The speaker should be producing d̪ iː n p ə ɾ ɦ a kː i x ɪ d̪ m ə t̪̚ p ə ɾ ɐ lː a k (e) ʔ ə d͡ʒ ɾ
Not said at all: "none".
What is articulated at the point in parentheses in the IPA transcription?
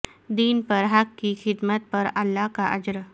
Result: a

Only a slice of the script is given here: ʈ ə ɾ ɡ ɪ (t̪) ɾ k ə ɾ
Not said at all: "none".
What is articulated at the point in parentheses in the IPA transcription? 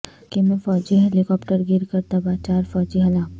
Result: none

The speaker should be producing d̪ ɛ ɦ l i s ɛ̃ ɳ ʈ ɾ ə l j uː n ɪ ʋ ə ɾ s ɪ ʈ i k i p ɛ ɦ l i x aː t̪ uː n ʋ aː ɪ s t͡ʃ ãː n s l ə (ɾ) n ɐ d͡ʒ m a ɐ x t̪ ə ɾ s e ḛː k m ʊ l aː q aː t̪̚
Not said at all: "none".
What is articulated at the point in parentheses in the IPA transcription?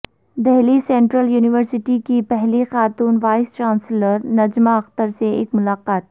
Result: ɾ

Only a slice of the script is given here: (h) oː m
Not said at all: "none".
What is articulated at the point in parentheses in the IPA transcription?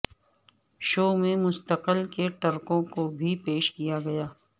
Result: ʃ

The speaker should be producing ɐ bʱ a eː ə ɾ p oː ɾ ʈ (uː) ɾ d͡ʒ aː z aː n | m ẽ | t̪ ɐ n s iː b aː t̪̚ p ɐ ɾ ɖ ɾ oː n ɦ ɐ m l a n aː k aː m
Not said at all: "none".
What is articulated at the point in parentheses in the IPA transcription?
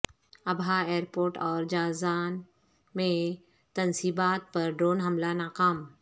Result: ɔː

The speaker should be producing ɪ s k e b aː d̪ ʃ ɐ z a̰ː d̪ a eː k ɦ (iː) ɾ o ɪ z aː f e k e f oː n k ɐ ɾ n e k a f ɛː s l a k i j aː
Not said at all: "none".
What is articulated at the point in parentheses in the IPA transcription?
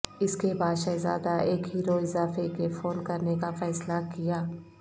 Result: iː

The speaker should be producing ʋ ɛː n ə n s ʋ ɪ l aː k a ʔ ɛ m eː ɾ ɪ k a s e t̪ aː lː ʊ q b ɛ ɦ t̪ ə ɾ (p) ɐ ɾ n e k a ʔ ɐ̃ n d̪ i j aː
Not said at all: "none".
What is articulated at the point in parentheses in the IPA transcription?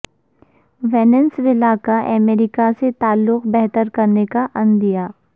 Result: k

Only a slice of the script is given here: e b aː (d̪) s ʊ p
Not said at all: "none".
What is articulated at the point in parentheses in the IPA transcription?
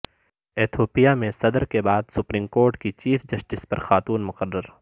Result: d̪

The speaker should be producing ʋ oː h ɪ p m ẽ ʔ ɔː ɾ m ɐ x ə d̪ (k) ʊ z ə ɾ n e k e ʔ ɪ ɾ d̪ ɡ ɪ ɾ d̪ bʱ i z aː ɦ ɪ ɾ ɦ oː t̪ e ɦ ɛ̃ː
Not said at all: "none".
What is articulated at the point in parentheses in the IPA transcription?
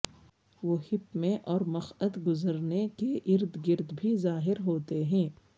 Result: ɡ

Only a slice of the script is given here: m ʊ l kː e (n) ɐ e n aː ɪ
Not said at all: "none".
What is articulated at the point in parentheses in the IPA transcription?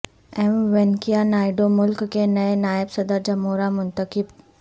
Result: n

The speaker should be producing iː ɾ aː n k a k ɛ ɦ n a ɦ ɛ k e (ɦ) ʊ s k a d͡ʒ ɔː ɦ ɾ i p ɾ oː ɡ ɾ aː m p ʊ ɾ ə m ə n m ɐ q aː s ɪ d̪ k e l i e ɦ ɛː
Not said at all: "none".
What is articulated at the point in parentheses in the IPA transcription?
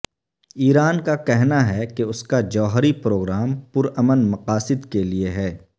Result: none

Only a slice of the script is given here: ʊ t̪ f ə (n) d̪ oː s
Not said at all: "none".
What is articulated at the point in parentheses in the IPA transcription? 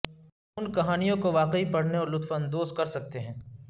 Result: n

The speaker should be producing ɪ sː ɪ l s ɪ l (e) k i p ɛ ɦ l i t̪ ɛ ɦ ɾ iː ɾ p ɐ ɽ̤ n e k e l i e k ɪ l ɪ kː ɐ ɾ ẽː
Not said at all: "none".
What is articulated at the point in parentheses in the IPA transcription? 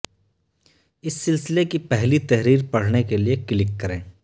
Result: e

